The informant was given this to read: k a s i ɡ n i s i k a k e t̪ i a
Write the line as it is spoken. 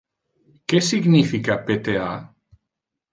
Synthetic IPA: k e s i ɡ n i f i k a p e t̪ e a